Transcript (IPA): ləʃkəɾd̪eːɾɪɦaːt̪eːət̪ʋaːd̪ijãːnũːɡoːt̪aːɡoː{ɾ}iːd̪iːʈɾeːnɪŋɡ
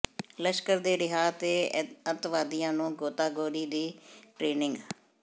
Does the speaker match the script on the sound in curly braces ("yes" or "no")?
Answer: yes